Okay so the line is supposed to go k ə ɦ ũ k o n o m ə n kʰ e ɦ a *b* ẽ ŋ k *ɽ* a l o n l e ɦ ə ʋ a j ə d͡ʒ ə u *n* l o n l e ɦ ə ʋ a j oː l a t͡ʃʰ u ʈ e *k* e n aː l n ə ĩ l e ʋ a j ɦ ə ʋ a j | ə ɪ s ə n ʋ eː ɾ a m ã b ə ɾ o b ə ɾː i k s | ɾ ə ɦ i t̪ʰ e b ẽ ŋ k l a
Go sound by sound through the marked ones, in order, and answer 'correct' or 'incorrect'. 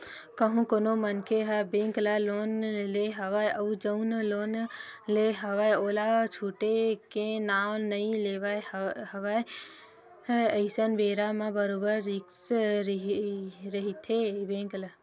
correct, incorrect: l, correct, correct

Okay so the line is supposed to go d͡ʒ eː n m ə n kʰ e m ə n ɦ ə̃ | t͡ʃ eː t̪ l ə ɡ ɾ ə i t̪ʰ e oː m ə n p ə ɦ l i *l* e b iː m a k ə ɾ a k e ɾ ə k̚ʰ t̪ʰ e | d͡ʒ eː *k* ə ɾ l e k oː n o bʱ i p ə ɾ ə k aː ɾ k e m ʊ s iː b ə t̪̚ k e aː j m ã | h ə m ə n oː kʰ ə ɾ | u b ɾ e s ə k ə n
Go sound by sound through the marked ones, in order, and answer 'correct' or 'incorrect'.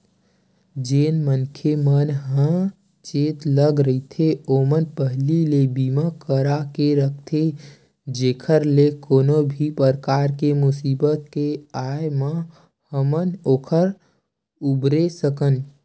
correct, incorrect: kʰ

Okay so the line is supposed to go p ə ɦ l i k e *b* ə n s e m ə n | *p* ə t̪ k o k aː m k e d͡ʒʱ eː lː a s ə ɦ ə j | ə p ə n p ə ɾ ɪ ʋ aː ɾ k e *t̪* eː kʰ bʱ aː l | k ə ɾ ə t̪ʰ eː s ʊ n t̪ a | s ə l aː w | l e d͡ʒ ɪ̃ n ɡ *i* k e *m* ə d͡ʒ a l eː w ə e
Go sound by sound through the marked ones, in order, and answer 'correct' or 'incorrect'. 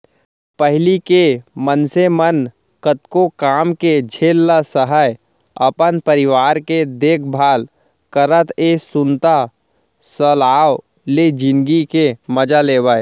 incorrect: m, incorrect: k, incorrect: d̪, correct, correct

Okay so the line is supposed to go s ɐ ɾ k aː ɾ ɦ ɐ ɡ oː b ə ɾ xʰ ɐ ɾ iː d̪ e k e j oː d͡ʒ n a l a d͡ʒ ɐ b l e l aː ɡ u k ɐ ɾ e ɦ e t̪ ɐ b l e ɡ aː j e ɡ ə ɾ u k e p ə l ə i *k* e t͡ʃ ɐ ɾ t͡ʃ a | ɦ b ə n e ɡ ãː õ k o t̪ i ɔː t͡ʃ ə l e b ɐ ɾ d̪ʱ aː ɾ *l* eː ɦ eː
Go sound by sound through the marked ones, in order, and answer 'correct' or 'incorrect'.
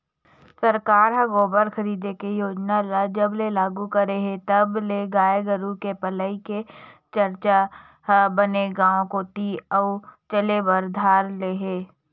correct, correct

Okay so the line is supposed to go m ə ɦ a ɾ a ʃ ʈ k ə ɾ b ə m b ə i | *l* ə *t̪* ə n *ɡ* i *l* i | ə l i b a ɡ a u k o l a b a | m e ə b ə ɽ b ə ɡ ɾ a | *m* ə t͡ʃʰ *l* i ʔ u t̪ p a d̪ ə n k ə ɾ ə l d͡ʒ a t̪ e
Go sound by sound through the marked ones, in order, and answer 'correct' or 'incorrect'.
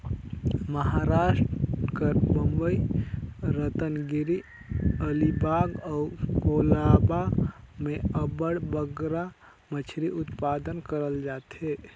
incorrect: ɾ, correct, correct, incorrect: ɾ, correct, incorrect: ɾ

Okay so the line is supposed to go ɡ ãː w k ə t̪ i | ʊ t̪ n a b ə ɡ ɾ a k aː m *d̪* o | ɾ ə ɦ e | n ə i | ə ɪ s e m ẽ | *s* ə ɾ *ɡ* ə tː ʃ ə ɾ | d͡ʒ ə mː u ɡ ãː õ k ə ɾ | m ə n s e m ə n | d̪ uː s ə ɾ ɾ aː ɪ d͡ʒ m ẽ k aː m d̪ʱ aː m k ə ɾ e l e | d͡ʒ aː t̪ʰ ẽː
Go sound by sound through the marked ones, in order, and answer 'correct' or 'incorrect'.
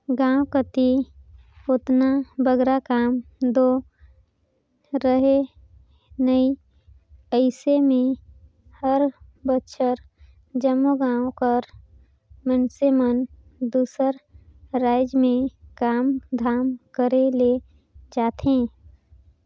correct, incorrect: h, incorrect: b

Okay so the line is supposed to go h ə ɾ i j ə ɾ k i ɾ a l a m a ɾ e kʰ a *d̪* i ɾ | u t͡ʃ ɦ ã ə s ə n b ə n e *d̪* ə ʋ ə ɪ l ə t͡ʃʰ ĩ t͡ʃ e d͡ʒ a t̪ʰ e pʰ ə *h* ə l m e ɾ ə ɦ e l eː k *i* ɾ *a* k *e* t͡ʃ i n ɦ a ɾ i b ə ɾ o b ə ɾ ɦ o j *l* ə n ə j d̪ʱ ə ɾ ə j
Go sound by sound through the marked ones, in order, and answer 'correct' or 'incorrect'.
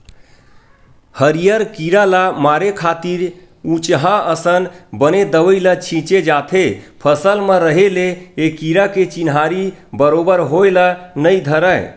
incorrect: t̪, correct, incorrect: s, correct, correct, correct, correct

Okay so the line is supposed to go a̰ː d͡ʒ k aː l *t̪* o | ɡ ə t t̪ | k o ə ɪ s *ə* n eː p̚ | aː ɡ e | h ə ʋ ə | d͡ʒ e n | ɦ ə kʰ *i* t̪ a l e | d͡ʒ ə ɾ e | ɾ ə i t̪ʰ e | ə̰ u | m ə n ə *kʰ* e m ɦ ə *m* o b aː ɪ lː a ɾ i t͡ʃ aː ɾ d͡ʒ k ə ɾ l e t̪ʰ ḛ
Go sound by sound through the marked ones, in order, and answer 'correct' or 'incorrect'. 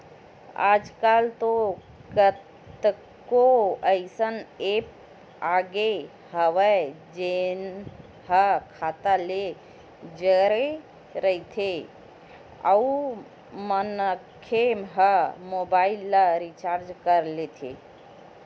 correct, correct, incorrect: a, correct, correct

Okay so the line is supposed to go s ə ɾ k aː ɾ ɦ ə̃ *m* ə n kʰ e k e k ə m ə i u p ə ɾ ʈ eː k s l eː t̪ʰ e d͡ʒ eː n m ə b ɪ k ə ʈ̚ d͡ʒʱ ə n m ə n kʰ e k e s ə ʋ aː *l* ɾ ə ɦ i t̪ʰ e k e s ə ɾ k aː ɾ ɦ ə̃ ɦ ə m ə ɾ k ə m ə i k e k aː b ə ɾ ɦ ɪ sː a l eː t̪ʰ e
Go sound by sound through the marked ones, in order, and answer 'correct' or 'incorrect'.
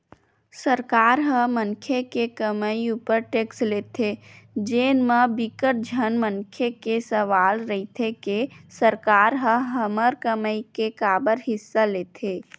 correct, correct

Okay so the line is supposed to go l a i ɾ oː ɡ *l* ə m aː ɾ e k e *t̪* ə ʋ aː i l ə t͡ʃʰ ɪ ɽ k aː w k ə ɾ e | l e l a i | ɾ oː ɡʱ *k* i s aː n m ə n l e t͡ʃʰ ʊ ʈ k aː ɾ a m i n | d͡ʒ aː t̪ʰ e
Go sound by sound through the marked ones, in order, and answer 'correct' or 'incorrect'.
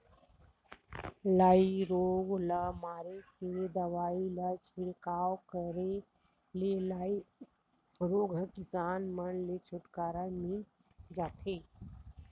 correct, incorrect: d̪, correct

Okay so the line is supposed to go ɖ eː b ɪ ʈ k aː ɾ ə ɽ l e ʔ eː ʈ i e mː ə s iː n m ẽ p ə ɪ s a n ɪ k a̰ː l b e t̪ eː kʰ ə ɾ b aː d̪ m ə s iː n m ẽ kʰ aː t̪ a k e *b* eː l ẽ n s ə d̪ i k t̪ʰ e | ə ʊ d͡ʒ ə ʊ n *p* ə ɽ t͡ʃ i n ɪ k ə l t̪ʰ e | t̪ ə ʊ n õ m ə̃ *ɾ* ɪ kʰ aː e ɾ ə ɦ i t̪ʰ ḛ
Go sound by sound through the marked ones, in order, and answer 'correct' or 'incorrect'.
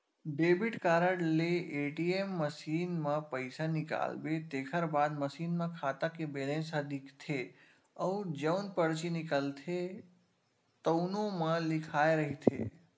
correct, correct, incorrect: l

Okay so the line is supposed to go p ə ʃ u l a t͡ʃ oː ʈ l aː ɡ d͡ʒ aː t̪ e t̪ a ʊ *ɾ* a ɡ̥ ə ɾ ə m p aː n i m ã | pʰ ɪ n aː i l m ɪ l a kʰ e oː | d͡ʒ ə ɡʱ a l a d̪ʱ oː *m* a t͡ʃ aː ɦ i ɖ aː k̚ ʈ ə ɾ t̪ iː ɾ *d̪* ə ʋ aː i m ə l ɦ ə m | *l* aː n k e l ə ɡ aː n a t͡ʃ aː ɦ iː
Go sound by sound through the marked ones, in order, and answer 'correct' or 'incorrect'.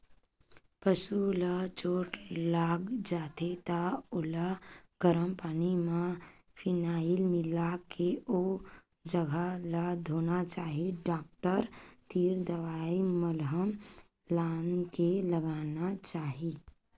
incorrect: l, incorrect: n, correct, correct

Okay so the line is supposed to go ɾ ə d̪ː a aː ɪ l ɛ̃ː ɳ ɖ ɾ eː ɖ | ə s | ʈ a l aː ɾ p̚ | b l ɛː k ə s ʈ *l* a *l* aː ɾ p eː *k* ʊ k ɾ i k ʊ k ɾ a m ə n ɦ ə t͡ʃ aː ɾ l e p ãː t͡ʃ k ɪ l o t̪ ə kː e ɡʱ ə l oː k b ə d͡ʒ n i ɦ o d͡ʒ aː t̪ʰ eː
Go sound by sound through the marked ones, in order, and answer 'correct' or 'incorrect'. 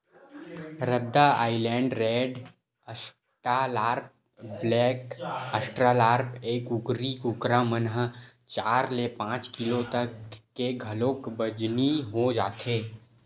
incorrect: ɾ, correct, correct

